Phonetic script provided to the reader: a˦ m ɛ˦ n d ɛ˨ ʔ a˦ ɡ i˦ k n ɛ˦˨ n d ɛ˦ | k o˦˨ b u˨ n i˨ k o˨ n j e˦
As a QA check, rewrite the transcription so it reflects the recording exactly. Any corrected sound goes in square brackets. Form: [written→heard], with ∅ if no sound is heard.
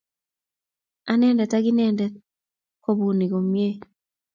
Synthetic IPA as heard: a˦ [m→n] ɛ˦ n d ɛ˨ [ʔ→t] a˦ ɡ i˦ [k→∅] n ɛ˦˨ n d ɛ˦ | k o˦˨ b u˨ n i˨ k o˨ [n→m] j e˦